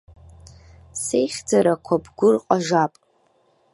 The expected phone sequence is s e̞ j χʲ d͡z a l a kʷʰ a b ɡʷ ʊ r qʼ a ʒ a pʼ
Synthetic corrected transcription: s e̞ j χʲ d͡z a ɾ a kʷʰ a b ɡʷ ʊ r qʼ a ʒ a pʼ